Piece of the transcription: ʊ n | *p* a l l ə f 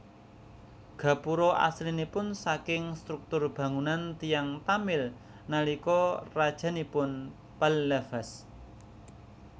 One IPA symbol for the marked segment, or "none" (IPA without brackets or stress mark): p